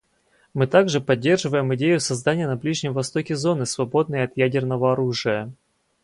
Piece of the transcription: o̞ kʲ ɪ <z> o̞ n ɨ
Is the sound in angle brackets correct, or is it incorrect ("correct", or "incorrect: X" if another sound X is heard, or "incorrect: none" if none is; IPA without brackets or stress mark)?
correct